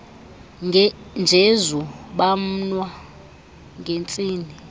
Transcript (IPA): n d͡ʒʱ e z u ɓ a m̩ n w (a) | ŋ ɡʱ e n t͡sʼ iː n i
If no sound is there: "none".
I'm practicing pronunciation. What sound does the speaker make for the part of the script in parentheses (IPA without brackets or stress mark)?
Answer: a